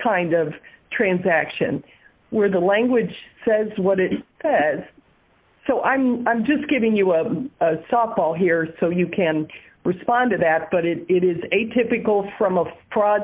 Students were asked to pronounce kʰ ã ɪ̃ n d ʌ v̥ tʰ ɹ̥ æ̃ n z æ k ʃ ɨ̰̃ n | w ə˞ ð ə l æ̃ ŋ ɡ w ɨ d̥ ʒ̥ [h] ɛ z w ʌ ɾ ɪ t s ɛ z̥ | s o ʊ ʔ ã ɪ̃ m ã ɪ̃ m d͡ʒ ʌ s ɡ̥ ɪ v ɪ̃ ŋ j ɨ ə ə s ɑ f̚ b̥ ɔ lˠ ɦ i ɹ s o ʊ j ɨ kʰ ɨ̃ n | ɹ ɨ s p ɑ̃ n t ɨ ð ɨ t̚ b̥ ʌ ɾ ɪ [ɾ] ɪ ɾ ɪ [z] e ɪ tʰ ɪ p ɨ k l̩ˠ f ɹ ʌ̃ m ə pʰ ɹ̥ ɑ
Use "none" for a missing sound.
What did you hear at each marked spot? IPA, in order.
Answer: s, ɾ, z

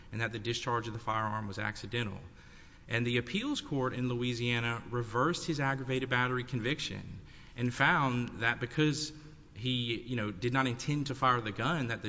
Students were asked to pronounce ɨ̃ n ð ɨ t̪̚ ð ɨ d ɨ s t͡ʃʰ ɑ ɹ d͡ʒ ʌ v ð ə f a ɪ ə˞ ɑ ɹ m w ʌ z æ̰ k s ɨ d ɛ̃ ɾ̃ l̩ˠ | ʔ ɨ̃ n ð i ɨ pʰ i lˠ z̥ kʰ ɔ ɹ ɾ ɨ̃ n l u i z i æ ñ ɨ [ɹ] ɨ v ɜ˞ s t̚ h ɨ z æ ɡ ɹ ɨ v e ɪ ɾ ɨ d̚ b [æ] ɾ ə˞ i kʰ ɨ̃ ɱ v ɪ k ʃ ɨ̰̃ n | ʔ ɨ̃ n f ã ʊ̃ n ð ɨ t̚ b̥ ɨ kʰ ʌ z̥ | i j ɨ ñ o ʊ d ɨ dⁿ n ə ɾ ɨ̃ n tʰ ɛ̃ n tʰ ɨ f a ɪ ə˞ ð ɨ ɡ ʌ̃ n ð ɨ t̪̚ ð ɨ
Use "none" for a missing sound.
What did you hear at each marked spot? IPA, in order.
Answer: ɹ, æ

